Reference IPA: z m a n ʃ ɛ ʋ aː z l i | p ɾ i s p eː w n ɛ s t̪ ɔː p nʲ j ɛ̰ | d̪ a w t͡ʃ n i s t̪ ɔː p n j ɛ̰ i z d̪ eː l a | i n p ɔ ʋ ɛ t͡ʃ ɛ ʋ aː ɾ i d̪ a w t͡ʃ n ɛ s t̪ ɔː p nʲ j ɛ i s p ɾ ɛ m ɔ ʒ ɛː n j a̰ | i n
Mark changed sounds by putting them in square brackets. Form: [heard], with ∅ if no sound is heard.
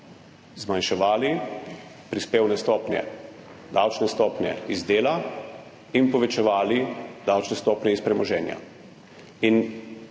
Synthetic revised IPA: z m a n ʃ ɛ ʋ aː [∅] l i | p ɾ i s p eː w n ɛ s t̪ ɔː p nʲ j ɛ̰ | d̪ a w t͡ʃ n [ɛ] s t̪ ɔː p n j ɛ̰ i z d̪ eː l a | i n p ɔ ʋ ɛ t͡ʃ ɛ ʋ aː [l] i d̪ a w t͡ʃ n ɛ s t̪ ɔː p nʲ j ɛ i s p ɾ ɛ m ɔ ʒ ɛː n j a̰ | i n